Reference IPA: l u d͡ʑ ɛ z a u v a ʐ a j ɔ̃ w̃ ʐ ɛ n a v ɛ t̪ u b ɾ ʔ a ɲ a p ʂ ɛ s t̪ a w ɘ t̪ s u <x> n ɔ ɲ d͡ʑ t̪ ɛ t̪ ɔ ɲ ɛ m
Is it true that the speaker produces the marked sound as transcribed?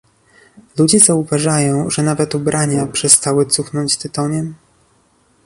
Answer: yes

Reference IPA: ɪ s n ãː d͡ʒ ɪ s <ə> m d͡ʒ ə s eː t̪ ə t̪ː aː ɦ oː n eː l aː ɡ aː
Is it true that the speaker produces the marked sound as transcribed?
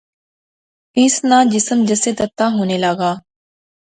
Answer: yes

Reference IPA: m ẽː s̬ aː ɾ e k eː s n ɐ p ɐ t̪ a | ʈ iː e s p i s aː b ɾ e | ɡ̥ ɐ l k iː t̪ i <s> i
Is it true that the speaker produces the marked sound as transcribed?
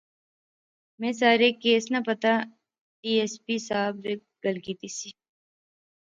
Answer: yes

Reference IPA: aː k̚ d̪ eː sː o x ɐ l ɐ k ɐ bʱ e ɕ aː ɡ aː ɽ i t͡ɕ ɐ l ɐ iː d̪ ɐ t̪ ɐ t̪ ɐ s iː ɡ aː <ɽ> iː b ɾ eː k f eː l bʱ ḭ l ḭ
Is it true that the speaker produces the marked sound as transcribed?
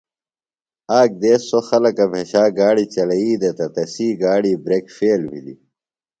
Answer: yes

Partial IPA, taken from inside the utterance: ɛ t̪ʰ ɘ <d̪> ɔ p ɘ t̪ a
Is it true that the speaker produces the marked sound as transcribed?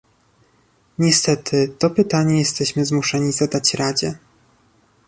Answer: no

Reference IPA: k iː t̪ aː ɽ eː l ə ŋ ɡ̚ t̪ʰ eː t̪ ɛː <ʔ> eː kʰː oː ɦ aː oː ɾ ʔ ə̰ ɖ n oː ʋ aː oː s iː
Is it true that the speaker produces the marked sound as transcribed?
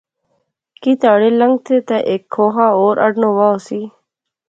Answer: yes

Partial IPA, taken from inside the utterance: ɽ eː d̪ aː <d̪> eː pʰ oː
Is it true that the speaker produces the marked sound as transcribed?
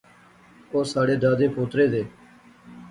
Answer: yes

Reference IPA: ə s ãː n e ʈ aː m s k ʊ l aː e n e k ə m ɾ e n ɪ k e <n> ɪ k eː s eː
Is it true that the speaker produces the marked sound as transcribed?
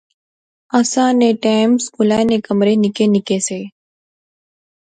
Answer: yes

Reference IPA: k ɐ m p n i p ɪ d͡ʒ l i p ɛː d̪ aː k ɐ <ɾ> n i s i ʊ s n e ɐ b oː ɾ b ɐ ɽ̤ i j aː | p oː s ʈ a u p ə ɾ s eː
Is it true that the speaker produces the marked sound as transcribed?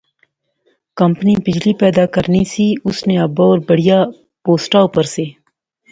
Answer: yes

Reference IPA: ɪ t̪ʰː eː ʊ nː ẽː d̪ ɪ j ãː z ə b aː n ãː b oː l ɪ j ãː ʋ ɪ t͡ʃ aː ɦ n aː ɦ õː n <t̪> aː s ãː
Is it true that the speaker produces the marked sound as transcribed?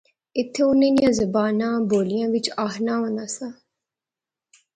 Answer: no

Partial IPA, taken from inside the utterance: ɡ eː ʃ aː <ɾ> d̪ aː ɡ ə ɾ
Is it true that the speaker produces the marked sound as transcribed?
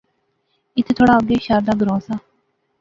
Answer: yes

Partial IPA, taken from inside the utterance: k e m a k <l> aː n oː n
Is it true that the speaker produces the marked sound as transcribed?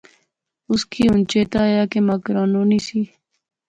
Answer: no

